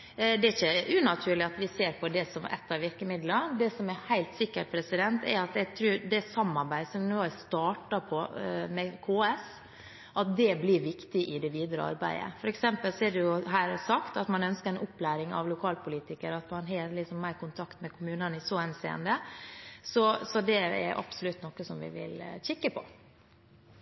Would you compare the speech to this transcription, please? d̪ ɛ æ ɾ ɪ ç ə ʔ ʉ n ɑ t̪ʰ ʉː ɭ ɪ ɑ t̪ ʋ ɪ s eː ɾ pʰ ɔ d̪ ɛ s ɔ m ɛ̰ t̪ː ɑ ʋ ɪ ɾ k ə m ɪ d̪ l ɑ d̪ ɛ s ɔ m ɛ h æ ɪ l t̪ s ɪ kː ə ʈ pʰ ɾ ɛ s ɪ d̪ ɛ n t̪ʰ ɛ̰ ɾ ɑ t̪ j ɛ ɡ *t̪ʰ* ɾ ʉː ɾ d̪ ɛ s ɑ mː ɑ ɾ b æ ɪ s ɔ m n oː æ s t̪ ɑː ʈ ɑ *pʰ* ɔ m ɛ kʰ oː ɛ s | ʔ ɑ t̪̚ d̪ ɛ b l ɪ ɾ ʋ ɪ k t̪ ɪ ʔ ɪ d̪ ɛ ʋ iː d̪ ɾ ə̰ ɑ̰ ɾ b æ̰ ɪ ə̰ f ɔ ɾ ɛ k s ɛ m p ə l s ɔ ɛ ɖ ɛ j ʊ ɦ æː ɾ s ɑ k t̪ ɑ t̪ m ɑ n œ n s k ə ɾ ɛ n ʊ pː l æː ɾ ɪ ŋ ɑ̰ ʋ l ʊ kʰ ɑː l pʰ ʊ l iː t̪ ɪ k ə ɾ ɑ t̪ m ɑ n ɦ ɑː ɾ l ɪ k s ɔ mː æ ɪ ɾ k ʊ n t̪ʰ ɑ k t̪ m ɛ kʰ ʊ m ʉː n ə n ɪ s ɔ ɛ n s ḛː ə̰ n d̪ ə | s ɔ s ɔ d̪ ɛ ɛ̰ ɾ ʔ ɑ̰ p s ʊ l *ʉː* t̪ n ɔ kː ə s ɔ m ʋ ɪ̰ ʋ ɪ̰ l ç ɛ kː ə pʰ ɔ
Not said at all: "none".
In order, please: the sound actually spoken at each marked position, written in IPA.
t̪ʰ, pʰ, ʉ

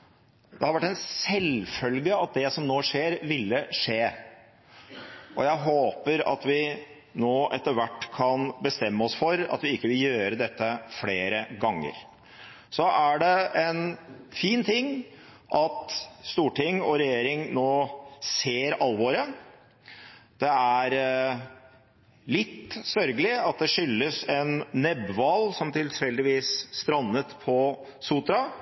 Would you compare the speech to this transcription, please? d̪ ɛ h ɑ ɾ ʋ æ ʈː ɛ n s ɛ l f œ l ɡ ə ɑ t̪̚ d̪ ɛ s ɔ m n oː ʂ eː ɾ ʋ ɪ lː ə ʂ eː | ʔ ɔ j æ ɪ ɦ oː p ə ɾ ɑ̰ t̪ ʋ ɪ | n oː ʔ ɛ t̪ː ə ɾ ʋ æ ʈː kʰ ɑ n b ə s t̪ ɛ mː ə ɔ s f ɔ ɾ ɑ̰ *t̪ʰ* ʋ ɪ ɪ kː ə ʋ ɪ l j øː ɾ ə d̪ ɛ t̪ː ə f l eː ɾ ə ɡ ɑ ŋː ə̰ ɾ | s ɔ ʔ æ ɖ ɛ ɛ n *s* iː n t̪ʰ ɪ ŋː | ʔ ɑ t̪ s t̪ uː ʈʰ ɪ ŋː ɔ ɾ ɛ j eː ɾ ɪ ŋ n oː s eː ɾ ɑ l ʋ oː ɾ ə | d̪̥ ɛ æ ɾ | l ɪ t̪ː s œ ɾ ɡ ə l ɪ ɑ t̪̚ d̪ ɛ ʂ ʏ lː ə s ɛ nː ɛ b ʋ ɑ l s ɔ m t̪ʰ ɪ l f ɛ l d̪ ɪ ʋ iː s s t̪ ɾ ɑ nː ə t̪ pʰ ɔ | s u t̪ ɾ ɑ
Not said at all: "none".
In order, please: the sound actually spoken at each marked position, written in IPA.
t̪, f

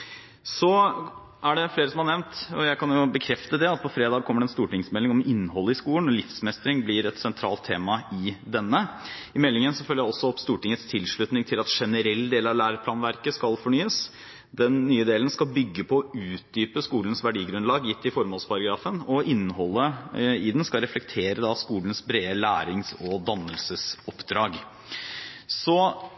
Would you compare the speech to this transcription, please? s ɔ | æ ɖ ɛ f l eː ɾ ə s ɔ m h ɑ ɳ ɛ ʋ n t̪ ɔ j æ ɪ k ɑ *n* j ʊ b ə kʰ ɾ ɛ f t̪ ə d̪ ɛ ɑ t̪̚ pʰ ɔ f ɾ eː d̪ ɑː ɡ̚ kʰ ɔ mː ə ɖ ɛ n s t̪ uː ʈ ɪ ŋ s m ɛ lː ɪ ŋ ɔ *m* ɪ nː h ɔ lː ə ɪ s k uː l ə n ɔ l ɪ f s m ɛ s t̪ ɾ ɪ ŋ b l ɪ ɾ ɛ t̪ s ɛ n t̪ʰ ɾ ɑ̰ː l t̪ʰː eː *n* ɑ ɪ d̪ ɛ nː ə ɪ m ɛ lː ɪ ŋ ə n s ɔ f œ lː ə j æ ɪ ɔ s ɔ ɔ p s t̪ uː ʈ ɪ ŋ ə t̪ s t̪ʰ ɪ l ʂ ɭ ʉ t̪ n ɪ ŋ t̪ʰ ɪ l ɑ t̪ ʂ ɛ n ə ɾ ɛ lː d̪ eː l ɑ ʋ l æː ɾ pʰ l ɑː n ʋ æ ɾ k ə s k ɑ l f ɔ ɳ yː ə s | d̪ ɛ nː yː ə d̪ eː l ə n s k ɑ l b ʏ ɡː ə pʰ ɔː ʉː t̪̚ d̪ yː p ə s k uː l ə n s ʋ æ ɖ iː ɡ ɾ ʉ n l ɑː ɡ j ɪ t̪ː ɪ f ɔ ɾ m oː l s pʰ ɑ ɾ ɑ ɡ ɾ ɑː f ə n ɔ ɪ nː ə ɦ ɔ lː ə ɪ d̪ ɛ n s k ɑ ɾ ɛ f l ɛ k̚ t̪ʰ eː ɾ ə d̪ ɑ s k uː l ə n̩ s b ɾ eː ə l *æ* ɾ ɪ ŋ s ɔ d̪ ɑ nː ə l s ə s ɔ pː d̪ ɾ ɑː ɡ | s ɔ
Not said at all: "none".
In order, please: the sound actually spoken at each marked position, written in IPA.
n, m, m, æː

